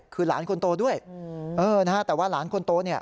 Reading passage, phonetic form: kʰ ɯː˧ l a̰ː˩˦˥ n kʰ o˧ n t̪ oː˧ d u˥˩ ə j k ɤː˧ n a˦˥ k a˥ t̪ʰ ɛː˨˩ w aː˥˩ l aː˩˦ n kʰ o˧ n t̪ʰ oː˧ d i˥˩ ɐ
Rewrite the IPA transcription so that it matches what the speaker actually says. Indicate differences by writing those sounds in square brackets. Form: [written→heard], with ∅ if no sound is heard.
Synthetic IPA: kʰ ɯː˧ l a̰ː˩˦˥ n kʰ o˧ n t̪ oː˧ d u˥˩ ə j [k→ʔ] ɤː˧ n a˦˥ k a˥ [t̪ʰ→t̪] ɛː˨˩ w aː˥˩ l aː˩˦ n kʰ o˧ n [t̪ʰ→t̪] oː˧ [d→n] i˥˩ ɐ